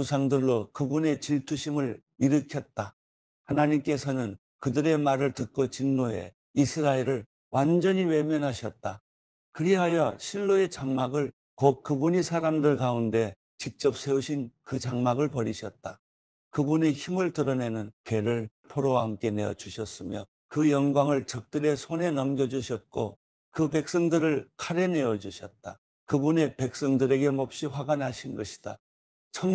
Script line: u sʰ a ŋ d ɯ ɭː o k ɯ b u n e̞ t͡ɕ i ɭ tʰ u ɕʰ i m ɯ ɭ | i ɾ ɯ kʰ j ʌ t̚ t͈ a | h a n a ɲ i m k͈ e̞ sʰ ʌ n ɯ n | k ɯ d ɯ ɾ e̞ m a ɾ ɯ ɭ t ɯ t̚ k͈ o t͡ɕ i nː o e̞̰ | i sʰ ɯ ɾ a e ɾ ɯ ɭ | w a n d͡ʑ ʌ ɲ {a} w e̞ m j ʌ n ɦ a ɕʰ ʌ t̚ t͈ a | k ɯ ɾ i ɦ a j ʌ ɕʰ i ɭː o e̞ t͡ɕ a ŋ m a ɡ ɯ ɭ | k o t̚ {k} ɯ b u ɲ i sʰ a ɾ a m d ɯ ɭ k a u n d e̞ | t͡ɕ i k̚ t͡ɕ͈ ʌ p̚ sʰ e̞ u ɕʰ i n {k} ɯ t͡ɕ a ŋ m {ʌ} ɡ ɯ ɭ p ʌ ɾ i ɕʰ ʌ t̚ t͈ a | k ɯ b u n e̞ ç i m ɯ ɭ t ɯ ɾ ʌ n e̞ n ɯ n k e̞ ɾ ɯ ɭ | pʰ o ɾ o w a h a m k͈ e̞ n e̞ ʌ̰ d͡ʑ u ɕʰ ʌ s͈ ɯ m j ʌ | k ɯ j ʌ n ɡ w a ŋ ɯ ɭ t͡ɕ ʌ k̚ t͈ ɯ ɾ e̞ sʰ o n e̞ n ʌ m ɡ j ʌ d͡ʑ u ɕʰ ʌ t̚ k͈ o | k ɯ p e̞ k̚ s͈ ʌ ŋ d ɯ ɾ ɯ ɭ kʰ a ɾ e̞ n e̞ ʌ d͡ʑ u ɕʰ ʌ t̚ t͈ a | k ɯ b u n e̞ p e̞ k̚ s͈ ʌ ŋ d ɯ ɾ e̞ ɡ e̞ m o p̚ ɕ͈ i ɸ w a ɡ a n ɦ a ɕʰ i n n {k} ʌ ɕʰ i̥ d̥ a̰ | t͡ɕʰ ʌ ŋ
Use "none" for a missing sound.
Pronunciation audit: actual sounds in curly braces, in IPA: i, k, k, a, ɡ

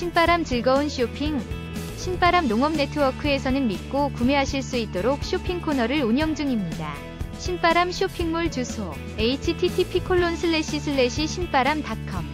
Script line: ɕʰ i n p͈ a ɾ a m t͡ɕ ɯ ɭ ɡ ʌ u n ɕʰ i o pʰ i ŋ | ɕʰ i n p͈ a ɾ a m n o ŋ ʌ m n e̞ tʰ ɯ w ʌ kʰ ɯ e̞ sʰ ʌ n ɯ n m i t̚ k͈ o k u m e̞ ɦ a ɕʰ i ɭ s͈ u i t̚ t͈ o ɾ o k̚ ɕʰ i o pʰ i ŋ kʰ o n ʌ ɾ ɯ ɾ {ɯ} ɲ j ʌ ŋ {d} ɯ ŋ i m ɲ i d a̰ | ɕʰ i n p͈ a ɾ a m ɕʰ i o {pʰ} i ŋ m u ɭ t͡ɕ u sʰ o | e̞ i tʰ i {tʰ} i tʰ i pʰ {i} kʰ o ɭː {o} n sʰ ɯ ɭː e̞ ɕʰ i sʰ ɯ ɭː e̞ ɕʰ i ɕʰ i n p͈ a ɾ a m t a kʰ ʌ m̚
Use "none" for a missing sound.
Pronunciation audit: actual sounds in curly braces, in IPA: u, d͡ʑ, pʰ, tʰ, i, o

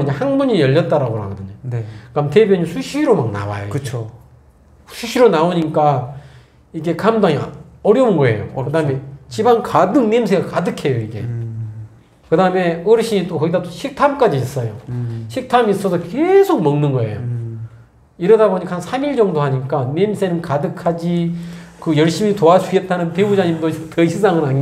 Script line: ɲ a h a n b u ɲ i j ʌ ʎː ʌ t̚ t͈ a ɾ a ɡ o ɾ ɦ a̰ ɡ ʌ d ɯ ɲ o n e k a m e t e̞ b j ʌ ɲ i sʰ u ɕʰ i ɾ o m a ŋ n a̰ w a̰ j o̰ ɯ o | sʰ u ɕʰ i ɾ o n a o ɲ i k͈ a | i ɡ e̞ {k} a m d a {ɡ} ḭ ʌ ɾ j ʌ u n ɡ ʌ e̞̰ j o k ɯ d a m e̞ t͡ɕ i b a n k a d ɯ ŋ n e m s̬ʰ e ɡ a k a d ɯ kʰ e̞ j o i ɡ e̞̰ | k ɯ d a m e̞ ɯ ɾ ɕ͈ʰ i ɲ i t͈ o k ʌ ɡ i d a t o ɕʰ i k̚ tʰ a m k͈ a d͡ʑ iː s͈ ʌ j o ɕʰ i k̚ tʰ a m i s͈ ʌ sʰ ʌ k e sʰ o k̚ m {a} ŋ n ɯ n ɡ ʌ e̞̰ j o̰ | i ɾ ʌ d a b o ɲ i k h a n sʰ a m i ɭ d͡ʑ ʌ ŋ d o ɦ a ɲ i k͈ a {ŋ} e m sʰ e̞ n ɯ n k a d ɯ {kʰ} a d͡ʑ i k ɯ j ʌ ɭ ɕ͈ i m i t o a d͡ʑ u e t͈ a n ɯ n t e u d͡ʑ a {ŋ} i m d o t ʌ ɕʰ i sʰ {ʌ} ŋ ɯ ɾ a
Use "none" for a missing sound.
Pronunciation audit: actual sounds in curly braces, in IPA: k, ŋ, ʌ, n, kʰ, ɲ, a

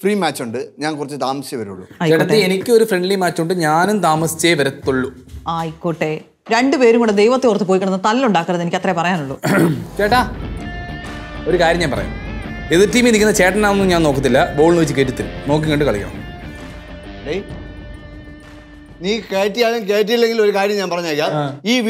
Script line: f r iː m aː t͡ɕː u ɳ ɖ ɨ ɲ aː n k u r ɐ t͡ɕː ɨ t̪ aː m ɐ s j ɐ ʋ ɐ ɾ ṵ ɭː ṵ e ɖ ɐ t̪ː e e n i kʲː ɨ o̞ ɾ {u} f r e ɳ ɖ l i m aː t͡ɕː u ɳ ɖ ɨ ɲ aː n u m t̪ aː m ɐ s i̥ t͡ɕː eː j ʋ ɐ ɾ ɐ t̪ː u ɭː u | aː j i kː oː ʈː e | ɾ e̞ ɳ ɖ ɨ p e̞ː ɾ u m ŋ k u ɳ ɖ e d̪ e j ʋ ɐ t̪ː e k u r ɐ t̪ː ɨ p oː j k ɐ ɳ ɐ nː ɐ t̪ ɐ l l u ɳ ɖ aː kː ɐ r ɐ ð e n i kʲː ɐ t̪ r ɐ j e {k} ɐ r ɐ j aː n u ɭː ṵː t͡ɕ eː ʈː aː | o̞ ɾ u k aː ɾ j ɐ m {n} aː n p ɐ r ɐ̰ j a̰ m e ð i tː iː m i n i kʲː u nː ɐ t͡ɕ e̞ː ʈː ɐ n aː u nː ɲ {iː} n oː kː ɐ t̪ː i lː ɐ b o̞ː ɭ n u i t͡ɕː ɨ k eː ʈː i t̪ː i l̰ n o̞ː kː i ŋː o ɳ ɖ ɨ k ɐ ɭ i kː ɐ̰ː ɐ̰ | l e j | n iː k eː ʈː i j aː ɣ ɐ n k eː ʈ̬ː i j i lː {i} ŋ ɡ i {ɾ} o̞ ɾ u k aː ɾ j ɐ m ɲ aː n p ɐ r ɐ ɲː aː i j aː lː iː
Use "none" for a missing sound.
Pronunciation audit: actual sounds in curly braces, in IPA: u, p, ɲ, aː, e, l

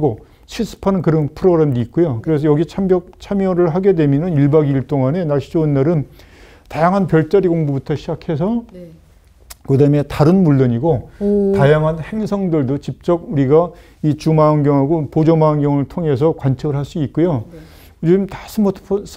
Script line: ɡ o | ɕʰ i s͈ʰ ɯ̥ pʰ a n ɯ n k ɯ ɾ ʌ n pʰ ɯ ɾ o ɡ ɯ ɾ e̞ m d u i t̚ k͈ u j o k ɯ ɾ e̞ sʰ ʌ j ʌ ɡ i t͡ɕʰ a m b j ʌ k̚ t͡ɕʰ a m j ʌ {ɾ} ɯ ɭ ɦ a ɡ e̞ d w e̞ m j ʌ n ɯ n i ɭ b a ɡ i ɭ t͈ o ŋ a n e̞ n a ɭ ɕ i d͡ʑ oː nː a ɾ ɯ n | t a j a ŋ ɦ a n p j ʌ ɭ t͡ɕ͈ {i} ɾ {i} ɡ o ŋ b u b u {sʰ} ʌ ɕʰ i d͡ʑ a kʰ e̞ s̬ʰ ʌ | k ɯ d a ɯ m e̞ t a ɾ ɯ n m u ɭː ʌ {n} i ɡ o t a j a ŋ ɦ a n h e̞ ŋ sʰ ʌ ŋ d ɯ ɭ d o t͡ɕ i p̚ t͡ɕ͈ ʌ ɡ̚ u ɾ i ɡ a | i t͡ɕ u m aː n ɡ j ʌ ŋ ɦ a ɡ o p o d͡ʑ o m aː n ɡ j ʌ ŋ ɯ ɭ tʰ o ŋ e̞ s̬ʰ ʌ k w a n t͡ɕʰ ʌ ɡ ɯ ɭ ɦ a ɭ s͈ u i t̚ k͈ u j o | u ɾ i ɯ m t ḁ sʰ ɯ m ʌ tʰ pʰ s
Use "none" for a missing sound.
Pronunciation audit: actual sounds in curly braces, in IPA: ɾ, a, i, tʰ, ɲ

